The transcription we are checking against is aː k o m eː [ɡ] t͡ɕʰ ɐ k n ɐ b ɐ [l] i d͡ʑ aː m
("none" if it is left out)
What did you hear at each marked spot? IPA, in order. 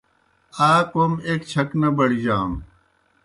k, ɽ

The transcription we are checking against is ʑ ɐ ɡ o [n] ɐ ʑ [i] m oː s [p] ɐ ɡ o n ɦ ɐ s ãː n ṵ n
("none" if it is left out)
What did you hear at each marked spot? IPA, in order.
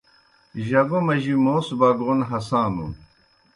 m, i, b

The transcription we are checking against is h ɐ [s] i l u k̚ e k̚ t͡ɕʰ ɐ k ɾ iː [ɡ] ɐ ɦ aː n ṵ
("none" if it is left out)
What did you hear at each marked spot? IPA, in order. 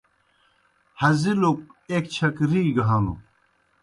z, ɡ

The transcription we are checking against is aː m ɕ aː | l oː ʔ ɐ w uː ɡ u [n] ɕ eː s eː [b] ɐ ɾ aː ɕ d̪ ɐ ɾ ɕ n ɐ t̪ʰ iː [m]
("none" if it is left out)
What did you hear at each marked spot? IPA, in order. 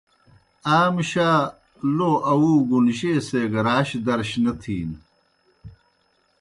n, ɡ, n

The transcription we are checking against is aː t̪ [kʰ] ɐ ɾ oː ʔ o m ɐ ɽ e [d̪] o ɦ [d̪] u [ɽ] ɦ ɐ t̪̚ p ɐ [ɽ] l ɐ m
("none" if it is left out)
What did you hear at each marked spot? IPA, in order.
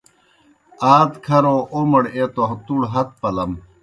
kʰ, t̪, t̪, ɽ, none

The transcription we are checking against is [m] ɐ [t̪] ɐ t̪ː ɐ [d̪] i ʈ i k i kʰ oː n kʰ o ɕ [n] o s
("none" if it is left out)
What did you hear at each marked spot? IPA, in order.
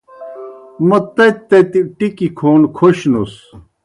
m, t̪, t̪, n

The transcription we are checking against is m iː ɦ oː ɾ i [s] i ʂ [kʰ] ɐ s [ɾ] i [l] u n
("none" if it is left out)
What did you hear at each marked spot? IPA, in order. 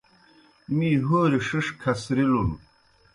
ʂ, kʰ, ɾ, l

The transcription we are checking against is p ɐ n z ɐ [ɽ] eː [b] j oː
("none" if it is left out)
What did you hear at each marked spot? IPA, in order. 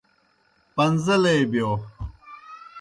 l, b

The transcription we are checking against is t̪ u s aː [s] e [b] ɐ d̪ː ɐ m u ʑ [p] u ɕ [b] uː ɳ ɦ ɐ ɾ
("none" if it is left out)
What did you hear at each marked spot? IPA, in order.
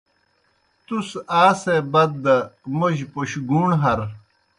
s, b, p, ɡ

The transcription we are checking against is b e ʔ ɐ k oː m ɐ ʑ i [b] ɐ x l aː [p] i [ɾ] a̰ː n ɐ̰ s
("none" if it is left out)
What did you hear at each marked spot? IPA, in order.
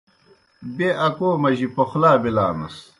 p, b, l

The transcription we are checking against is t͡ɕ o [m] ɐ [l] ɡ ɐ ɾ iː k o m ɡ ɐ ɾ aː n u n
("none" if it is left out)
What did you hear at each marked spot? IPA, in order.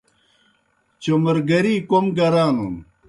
m, ɾ

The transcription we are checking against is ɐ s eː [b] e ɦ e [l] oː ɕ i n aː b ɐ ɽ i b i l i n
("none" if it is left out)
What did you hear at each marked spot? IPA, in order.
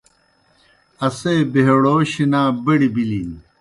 b, ɽ

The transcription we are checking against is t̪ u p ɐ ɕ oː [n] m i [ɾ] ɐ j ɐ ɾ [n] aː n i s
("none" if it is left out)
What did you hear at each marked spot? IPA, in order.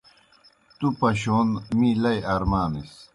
n, l, m

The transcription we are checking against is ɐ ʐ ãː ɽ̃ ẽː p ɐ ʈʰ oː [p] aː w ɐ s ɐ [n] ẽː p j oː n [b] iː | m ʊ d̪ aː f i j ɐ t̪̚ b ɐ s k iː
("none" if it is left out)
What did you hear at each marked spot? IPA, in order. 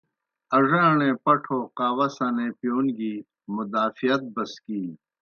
q, n, ɡ

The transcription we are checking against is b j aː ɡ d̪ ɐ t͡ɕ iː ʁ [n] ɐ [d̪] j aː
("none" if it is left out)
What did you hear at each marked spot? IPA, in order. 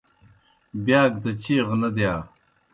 n, d̪

